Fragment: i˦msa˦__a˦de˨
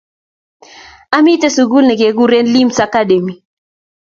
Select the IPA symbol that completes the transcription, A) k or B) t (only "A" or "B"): A